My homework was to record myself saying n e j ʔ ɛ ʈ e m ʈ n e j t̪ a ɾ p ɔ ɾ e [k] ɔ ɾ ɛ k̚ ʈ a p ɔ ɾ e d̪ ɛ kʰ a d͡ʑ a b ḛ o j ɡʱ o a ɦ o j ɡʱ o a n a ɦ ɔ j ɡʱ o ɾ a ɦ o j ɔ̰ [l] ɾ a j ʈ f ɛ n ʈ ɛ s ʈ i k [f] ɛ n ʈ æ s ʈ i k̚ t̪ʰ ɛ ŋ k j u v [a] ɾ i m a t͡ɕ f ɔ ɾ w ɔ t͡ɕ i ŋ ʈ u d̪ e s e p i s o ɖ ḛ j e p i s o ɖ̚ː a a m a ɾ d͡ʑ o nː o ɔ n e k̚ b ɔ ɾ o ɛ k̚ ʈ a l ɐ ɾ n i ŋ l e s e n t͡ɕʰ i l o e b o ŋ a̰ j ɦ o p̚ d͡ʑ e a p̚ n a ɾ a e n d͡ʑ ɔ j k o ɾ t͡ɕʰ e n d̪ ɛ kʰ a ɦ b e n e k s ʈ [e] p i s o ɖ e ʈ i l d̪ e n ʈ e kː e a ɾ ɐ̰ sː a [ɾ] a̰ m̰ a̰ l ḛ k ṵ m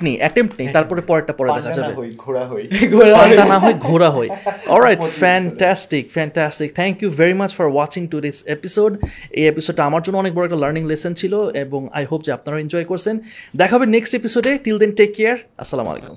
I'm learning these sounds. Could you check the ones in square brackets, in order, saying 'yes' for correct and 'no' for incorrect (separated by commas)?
no, yes, yes, no, yes, no